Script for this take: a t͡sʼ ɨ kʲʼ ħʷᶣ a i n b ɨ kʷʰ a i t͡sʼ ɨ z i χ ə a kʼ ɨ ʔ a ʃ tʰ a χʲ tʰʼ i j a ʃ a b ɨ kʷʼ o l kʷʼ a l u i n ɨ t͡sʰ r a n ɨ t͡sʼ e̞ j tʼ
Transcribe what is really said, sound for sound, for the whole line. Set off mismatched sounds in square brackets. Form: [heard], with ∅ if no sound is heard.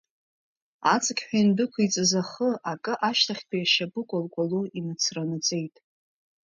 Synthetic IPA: a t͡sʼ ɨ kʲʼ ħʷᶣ a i n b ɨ kʷʰ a i t͡sʼ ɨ z [a] χ ə a kʼ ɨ ʔ a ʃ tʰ a χʲ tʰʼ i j a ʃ a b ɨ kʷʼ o l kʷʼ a l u i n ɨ t͡sʰ r a n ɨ t͡sʼ e̞ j tʼ